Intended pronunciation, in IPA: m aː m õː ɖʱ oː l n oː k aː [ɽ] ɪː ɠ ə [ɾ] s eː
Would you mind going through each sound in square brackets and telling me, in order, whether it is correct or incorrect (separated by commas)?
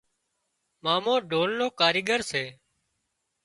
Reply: incorrect, correct